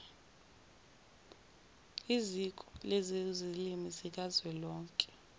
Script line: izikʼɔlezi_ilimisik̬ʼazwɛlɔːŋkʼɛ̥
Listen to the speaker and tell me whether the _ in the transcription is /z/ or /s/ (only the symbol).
z